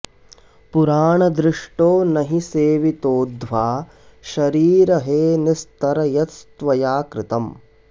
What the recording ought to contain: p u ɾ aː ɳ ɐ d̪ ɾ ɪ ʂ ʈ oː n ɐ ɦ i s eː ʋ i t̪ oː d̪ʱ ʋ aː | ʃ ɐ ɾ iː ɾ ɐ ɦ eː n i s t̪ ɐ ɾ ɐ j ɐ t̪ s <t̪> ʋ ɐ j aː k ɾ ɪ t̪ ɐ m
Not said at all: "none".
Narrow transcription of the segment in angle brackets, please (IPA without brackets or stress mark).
t̪